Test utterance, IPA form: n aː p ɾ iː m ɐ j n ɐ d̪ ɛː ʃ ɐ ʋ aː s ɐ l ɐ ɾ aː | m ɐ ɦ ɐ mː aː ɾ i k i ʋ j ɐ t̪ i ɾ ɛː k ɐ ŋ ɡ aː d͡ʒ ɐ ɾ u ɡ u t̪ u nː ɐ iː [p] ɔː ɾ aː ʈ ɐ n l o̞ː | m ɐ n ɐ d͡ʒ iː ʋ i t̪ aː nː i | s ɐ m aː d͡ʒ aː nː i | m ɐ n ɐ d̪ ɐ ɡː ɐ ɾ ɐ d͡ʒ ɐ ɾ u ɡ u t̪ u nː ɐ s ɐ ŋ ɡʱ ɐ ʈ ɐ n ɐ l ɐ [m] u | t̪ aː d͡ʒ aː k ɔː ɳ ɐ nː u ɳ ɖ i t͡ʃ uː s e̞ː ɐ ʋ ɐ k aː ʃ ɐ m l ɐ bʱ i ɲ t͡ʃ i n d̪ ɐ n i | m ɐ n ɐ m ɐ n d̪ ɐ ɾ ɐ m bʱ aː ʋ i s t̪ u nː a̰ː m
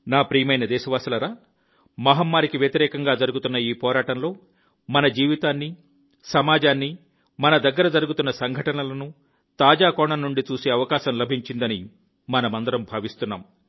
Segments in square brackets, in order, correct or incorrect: correct, incorrect

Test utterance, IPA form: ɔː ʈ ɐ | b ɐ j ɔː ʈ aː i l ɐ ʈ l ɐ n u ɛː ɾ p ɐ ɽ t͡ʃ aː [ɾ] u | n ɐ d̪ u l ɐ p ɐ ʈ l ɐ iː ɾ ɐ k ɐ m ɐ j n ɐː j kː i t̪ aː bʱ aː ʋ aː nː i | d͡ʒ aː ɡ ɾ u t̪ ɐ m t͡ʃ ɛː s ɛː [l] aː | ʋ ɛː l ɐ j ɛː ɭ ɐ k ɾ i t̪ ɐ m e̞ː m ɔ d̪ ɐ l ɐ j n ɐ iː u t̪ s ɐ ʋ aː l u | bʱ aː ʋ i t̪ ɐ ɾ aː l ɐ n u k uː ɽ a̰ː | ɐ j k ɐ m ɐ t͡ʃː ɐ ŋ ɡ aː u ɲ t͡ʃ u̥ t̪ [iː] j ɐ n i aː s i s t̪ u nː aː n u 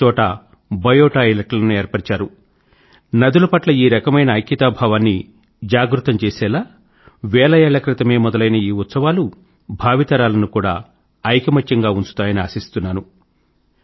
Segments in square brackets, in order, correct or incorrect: correct, correct, incorrect

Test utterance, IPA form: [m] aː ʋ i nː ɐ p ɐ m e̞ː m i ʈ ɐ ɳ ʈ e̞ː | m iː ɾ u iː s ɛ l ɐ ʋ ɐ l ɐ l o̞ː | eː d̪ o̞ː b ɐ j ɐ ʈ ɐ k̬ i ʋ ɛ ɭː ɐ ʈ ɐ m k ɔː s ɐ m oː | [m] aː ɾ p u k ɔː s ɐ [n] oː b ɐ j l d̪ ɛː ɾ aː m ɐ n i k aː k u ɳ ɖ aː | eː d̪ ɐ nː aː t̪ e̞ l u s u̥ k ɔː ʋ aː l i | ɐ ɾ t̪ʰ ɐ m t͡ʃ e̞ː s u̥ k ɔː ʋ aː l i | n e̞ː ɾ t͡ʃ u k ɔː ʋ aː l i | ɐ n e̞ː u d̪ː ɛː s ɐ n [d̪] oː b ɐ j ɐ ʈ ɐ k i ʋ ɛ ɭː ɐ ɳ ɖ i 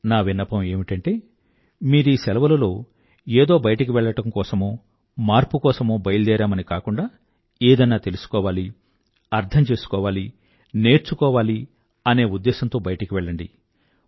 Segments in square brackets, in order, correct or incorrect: incorrect, correct, incorrect, incorrect

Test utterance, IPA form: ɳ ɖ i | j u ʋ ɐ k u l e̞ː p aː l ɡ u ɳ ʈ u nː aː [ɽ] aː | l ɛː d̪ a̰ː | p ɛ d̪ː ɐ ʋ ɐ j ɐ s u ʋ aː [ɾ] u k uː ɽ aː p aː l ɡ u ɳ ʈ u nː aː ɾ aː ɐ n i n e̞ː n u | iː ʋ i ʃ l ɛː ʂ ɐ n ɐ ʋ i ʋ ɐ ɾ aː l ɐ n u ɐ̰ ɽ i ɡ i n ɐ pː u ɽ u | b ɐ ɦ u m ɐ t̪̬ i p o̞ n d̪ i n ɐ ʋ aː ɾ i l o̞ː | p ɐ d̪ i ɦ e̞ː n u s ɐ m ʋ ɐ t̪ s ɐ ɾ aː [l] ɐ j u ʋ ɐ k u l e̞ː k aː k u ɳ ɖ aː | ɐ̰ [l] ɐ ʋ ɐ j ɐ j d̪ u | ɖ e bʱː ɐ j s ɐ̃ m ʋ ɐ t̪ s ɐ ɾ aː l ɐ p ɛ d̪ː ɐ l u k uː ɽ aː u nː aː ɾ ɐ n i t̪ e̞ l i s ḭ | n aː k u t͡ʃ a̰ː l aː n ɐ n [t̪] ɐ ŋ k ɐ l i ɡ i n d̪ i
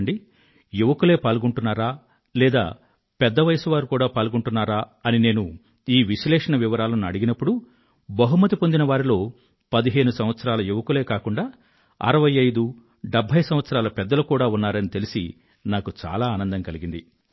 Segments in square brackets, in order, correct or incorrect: incorrect, correct, correct, incorrect, incorrect

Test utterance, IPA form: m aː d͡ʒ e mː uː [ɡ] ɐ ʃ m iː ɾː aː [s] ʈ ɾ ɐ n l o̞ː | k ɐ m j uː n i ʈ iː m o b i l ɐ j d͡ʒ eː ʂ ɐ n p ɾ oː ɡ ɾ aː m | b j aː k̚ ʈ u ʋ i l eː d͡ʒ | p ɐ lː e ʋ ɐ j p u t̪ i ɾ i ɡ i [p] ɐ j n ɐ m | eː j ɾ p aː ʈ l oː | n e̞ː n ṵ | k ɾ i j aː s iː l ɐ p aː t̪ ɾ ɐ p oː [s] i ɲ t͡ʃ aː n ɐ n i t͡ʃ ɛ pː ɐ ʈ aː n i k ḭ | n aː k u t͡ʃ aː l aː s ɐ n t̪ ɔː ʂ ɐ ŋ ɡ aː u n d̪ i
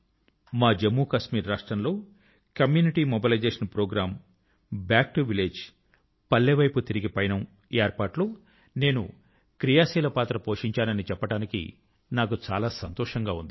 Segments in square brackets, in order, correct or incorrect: incorrect, incorrect, correct, incorrect

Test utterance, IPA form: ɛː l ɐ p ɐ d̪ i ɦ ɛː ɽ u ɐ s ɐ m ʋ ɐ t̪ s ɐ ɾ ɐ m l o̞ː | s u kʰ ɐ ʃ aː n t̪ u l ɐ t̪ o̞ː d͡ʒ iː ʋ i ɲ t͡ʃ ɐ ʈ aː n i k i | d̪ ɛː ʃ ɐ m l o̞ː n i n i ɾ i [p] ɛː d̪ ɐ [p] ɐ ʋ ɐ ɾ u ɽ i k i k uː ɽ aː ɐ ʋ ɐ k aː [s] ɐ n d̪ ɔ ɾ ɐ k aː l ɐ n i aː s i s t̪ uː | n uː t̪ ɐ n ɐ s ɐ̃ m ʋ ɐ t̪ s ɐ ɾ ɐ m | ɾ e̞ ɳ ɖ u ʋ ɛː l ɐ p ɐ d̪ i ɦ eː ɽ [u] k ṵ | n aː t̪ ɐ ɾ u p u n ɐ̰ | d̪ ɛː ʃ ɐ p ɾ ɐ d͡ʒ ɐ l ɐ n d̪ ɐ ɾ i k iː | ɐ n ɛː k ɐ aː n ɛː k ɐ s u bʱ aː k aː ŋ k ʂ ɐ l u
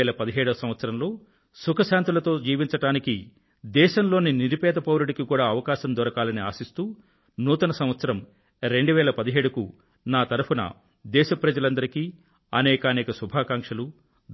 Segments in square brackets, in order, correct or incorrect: correct, correct, incorrect, correct

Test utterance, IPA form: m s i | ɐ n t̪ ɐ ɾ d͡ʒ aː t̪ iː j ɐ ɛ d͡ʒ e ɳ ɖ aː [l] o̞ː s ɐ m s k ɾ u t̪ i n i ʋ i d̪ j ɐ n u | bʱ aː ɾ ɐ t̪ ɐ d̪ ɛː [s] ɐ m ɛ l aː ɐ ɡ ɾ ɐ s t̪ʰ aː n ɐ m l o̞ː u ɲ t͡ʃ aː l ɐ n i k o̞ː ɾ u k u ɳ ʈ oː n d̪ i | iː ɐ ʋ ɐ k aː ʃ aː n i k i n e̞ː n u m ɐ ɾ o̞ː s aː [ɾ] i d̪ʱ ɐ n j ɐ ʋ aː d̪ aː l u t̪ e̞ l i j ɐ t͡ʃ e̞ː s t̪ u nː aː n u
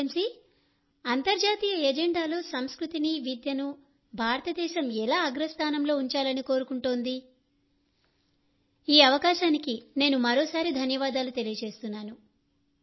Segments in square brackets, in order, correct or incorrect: correct, incorrect, correct

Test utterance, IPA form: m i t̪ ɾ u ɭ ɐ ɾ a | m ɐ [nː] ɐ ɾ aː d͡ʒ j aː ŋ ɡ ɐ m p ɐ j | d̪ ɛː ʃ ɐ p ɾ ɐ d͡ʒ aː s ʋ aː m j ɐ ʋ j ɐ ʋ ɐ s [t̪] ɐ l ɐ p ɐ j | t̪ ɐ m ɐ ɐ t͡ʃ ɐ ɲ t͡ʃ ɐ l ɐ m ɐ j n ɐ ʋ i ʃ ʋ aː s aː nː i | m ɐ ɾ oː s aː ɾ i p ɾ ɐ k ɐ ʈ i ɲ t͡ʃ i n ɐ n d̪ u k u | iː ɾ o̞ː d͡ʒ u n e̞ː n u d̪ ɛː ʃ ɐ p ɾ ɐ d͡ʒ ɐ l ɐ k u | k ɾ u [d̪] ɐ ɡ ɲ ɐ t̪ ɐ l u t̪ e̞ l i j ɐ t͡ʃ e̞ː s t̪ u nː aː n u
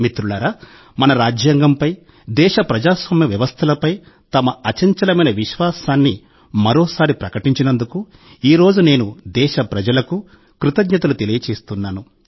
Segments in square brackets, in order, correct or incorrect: incorrect, incorrect, incorrect

